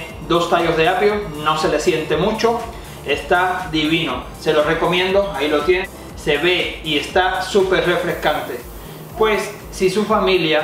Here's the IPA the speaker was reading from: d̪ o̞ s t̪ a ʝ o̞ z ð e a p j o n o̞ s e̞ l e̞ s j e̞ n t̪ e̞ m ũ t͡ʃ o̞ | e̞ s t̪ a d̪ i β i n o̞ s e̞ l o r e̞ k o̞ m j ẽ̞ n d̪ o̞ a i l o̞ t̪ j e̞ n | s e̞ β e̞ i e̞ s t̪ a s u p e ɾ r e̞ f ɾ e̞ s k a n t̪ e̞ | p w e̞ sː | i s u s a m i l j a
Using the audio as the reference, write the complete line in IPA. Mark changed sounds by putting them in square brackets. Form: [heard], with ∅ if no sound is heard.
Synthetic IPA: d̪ o̞ s t̪ a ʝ o̞ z ð e a p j o n o̞ s e̞ l e̞ s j e̞ n t̪ e̞ m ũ t͡ʃ o̞ | e̞ s t̪ a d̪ i β i n o̞ s e̞ l o r e̞ k o̞ m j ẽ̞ n d̪ o̞ a i l o̞ t̪ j e̞ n | s e̞ β e̞ i e̞ s t̪ a s u p e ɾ r e̞ f ɾ e̞ s k a n t̪ e̞ | p w e̞ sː | i s u [f] a m i l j a